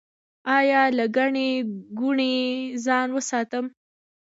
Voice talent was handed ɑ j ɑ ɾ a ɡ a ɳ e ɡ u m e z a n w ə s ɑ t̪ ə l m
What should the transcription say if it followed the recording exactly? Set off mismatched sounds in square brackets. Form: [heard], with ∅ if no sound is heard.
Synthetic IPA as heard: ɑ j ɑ [l] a ɡ a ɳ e ɡ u [ɳ] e z [ɑ] n w ə s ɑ t̪ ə [∅] m

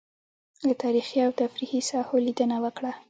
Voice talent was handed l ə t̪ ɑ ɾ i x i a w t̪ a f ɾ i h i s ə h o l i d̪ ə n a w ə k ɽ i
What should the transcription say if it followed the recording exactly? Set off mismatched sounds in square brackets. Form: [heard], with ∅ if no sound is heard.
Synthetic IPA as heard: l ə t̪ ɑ ɾ i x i a w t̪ a f ɾ i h i s [ɑ] h o l i d̪ ə n a w ə k ɽ [a]

